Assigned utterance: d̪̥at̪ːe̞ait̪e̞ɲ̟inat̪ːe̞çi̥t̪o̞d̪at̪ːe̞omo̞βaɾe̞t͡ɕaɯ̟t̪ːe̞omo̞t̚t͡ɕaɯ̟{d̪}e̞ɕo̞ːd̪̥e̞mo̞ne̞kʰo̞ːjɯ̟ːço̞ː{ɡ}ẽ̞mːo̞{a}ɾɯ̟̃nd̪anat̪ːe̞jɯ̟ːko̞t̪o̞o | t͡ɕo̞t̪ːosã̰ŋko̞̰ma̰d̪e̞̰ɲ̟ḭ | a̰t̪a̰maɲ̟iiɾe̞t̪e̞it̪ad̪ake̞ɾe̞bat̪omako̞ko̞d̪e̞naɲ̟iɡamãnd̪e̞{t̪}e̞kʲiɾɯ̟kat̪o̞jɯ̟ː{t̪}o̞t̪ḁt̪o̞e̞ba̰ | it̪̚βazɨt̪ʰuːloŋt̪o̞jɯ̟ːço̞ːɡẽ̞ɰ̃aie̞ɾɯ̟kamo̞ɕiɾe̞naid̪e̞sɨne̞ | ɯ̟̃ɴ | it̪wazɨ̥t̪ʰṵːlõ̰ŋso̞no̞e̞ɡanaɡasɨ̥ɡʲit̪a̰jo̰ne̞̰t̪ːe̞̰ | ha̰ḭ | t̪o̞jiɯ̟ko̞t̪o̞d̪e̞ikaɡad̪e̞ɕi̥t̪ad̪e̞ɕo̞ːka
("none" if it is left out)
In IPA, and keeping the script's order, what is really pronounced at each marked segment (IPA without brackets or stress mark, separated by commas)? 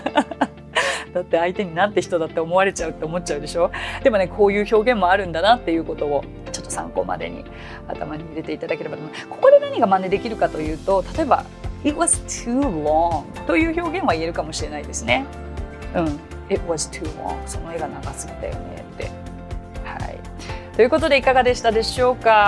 d̪, ɡ, a, d̪, t̪